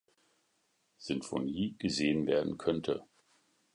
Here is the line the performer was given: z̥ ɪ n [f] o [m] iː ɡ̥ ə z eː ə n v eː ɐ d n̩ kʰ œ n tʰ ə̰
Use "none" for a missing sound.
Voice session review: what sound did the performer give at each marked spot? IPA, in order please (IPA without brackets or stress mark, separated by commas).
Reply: f, n